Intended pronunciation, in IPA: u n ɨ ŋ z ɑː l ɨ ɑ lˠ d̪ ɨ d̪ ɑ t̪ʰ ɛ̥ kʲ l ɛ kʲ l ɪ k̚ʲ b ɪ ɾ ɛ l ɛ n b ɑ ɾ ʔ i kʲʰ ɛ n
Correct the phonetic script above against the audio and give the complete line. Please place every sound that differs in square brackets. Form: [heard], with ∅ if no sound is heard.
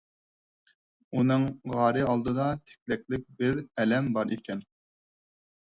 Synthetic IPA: u n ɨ ŋ [ʁ] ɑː [ɾ] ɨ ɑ lˠ d̪ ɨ d̪ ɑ t̪ʰ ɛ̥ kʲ l ɛ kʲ l ɪ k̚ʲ b ɪ ɾ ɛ l ɛ [m] b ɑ ɾ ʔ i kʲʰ ɛ n